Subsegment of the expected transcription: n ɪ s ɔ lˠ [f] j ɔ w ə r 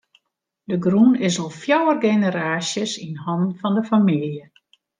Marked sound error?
no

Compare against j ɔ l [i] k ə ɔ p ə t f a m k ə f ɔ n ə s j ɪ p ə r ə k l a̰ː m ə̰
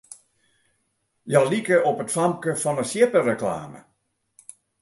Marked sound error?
no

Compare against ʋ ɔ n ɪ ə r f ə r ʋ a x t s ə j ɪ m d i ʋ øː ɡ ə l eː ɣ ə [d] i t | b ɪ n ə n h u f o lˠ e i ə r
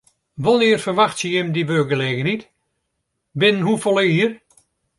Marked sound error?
yes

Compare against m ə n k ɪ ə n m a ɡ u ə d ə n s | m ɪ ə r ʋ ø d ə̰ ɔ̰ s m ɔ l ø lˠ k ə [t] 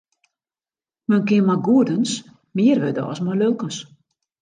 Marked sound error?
yes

